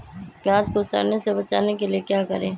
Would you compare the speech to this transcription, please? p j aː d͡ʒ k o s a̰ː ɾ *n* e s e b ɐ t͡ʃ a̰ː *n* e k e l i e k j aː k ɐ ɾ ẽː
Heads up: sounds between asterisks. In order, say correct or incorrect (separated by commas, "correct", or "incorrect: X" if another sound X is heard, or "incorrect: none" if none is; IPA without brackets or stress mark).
correct, correct